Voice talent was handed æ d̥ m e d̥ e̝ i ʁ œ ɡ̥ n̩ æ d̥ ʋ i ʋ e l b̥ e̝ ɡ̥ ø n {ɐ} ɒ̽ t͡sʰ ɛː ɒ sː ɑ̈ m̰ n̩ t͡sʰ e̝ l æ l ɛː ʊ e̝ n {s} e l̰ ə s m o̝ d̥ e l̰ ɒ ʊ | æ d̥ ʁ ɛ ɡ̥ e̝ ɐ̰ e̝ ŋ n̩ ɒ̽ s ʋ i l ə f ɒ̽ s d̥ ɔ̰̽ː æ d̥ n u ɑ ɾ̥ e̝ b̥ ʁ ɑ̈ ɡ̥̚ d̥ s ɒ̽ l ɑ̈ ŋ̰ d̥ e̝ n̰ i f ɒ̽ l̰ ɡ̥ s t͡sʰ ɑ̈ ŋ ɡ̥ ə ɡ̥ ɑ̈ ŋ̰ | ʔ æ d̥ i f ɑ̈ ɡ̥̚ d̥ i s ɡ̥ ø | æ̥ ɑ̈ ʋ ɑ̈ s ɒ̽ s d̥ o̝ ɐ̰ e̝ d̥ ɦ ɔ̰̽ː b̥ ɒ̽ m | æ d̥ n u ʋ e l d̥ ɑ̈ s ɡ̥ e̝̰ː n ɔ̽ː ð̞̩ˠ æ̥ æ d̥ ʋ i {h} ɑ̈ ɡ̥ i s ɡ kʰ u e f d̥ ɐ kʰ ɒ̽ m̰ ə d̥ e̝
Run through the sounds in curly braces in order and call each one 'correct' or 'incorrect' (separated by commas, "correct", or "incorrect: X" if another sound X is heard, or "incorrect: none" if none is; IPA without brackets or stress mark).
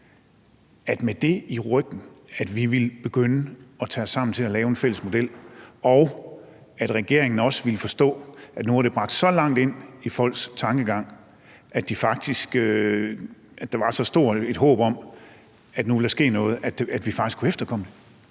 incorrect: ə, incorrect: f, incorrect: f